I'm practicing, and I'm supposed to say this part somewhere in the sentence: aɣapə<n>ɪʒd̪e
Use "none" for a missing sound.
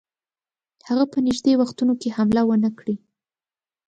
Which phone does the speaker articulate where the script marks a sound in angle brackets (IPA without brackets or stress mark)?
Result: n